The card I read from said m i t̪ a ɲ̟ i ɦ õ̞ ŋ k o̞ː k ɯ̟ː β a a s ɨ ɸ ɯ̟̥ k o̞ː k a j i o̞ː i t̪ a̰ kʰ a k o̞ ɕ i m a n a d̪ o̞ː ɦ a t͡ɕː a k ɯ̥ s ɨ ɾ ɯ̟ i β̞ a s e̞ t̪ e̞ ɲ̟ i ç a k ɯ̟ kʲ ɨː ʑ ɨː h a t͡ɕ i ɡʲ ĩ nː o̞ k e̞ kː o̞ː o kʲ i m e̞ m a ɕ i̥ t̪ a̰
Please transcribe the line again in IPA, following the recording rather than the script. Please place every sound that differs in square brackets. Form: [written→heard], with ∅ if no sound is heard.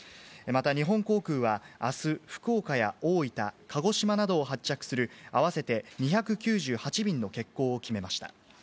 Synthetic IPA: m [i→a] t̪ a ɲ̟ i ɦ õ̞ ŋ k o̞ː k ɯ̟ː β a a s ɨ ɸ ɯ̟̥ k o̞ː k a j [i→a] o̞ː i t̪ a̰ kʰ a [k→ɡ] o̞ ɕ i m a n a d̪ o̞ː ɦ a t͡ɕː a k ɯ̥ s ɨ ɾ ɯ̟ [i→a] β̞ a s e̞ t̪ e̞ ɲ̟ i ç a k ɯ̟ kʲ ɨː ʑ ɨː h a t͡ɕ i [ɡʲ→bʲ] ĩ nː o̞ k e̞ kː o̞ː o kʲ i m e̞ m a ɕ i̥ t̪ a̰